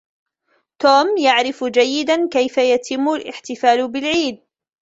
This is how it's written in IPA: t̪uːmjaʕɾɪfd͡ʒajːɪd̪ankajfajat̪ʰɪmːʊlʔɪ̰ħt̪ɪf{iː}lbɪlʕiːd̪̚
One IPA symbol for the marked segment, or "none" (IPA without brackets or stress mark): aː